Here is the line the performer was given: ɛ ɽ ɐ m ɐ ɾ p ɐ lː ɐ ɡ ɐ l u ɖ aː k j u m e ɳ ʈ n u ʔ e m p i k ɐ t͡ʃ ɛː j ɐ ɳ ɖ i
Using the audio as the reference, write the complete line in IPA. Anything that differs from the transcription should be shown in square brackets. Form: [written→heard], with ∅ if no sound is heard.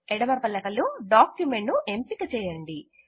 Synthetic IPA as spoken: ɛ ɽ ɐ m ɐ ɾ p ɐ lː ɐ [ɡ→k] ɐ l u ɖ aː k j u m e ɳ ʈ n u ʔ e m p i k ɐ t͡ʃ ɛː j ɐ ɳ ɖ i